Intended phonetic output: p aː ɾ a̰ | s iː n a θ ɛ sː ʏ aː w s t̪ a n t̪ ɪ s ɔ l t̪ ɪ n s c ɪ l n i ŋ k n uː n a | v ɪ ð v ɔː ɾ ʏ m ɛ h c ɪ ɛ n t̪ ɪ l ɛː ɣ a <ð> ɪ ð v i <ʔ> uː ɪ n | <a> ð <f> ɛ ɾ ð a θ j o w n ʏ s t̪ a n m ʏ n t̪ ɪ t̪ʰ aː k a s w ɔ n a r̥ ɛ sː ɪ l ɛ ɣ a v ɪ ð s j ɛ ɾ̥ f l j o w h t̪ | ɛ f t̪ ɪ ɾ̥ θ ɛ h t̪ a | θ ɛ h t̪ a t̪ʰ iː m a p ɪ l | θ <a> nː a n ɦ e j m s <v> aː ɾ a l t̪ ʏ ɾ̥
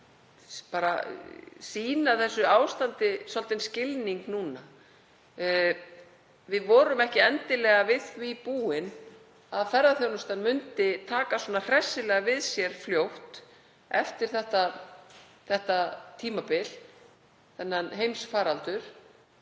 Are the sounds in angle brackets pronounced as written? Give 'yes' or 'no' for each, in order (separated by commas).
no, no, yes, yes, no, no